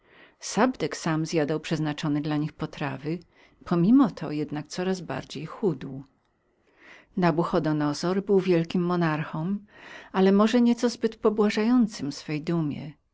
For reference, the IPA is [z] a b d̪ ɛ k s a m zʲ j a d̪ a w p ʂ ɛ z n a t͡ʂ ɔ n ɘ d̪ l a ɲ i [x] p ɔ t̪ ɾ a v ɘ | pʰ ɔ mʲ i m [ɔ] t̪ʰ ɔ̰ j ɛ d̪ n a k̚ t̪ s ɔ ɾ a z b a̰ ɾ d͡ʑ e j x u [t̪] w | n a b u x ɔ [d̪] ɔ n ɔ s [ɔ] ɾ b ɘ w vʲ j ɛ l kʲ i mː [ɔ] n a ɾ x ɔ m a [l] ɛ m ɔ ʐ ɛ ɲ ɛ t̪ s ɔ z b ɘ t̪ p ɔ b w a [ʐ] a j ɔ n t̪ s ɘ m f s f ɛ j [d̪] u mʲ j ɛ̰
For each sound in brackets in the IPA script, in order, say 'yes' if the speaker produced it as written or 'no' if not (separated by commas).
no, yes, yes, no, yes, yes, yes, yes, yes, yes